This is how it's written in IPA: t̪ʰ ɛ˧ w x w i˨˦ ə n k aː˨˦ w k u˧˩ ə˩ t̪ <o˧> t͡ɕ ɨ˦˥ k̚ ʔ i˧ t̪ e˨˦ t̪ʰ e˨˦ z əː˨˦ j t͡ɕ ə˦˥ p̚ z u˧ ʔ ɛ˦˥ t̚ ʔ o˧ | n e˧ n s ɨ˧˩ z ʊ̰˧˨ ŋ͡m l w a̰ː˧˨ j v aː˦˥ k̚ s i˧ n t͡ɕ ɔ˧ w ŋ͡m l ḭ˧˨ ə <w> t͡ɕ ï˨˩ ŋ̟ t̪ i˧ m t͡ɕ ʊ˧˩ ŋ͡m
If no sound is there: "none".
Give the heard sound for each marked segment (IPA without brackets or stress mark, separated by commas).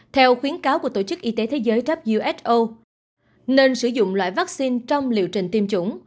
o˧˩, w